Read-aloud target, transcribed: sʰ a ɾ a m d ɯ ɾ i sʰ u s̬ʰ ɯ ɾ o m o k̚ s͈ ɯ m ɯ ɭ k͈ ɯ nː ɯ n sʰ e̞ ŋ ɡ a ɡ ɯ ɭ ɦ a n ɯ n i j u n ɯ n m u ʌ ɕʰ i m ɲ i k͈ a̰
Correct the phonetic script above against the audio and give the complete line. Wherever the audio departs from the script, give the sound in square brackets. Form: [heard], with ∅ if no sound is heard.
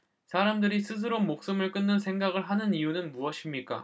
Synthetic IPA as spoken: sʰ a ɾ a m d ɯ ɾ i sʰ [ɯ] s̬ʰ ɯ ɾ o m o k̚ s͈ ɯ m ɯ ɭ k͈ ɯ nː ɯ n sʰ e̞ ŋ ɡ a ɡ ɯ ɭ ɦ a n ɯ n i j u n ɯ n m u ʌ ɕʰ i m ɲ i k͈ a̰